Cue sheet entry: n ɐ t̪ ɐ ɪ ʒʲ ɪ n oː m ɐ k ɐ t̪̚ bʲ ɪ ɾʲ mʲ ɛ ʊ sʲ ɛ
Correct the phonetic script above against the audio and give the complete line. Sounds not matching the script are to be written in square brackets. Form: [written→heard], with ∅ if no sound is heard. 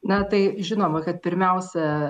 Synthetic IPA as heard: n ɐ t̪ ɐ ɪ ʒʲ ɪ n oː m ɐ k ɐ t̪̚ [bʲ→pʲ] ɪ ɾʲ mʲ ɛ ʊ sʲ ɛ